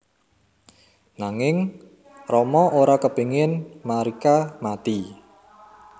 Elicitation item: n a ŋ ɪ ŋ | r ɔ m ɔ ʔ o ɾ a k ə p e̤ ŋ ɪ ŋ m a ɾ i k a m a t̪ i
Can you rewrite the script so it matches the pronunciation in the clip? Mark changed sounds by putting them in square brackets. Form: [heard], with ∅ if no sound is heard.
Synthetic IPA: n a ŋ ɪ ŋ | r ɔ m ɔ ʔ o ɾ a k ə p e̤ ŋ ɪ [n] m a ɾ i k a m a t̪ i

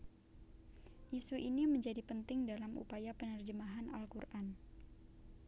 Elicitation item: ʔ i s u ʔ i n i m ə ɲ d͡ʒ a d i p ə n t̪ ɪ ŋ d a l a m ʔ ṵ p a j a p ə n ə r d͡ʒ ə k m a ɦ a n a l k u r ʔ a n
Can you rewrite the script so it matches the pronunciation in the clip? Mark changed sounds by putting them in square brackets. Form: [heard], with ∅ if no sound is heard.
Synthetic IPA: ʔ i s u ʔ i n i m ə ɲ d͡ʒ a d i p ə n t̪ ɪ ŋ d a l a m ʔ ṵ p a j a p ə n ə r d͡ʒ ə [∅] m a ɦ a n a l k u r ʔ a n

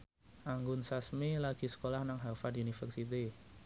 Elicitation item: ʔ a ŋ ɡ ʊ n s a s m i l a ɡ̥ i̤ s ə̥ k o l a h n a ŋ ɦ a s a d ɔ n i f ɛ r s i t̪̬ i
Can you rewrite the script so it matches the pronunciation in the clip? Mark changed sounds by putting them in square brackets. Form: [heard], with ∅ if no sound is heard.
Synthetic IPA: ʔ a ŋ ɡ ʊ n s a s m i l a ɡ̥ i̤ s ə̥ k o l a h n a ŋ ɦ a [f] a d [u] n i f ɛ r s i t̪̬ i

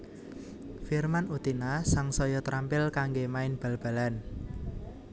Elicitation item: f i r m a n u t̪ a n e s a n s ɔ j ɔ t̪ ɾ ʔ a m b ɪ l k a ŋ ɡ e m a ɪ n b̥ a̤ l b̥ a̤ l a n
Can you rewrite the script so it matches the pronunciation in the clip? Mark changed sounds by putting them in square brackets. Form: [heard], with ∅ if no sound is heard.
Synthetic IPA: f i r m a n u t̪ [i] n [a] s a [ŋ] s ɔ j ɔ t̪ ɾ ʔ a m [p] ɪ l k a ŋ ɡ e m a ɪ n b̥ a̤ l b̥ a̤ l a n

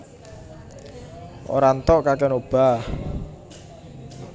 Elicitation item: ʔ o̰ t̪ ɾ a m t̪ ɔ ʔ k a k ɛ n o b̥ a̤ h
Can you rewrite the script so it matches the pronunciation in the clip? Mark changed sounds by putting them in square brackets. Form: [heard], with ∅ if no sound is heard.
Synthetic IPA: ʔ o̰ [∅] ɾ a [n] t̪ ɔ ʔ k a k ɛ n o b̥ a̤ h

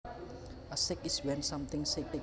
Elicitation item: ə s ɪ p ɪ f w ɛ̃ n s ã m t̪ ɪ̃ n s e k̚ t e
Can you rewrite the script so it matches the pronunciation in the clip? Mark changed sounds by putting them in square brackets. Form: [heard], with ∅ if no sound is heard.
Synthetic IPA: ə s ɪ [k] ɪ [s] w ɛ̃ n s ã m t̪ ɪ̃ [ŋ] s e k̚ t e

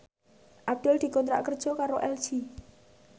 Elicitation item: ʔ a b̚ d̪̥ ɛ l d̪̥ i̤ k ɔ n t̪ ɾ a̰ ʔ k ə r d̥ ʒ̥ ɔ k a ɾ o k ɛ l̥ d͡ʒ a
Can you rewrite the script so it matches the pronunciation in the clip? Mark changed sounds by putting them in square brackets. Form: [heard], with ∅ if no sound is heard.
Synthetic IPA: ʔ a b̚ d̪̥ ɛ l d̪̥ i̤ k ɔ n t̪ ɾ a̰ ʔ k ə r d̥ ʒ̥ ɔ k a ɾ o [ʔ] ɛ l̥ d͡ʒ [i]

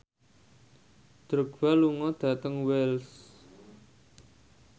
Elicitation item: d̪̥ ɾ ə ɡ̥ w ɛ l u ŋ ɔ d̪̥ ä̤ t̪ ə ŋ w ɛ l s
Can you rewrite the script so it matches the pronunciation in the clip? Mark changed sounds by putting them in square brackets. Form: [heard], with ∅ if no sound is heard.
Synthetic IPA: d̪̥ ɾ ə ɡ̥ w [a] l u ŋ ɔ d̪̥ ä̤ t̪ ə ŋ w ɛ l s

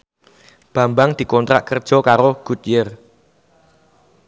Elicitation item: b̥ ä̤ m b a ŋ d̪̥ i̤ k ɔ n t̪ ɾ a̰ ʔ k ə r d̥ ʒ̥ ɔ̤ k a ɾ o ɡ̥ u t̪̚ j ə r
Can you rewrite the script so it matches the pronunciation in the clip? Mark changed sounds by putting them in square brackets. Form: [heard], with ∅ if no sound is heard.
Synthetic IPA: b̥ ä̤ m b a ŋ d̪̥ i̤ k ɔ n t̪ ɾ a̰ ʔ k ə r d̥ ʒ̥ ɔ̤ k a ɾ o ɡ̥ u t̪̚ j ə r

